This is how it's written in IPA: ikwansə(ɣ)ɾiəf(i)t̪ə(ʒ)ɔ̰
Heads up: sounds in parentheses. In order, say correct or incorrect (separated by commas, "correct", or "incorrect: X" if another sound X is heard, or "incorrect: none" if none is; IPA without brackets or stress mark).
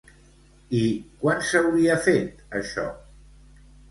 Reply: incorrect: w, incorrect: e, incorrect: ʃ